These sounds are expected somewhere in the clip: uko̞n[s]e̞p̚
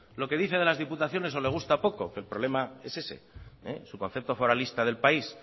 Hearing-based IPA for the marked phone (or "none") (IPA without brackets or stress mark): θ